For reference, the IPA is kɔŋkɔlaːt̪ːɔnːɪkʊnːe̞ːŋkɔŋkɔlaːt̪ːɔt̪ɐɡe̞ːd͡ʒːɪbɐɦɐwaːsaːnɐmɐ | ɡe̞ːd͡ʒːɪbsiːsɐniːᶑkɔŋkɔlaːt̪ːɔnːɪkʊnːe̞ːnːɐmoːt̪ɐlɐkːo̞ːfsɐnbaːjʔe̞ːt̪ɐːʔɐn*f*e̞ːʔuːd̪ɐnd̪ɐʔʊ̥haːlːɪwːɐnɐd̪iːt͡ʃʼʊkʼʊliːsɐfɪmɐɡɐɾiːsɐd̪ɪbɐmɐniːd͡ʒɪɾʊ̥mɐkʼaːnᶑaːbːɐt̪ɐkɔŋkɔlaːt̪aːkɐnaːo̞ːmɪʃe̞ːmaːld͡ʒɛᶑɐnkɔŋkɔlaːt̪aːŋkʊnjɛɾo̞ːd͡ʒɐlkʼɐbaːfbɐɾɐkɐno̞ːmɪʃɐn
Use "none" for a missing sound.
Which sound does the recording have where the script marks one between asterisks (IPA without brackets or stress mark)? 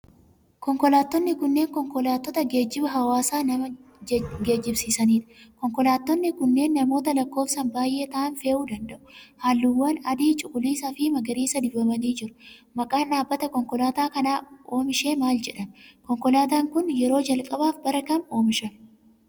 f